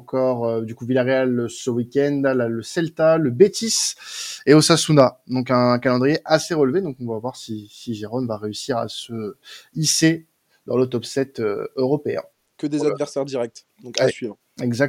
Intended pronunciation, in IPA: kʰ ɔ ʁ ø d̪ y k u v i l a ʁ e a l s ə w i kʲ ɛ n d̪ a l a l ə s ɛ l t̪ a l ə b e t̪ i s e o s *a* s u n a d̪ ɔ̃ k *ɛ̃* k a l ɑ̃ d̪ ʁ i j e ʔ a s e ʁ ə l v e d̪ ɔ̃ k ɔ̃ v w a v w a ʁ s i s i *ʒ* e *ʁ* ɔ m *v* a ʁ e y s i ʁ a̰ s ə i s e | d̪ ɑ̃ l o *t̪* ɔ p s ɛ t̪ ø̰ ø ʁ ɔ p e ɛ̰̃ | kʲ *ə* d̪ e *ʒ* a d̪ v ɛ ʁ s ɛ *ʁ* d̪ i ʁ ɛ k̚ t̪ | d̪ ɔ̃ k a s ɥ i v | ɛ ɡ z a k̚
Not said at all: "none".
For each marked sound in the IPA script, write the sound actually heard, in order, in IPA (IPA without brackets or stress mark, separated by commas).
a, ɛ̃, ʒ, ʁ, v, t̪, ə, z, ʁ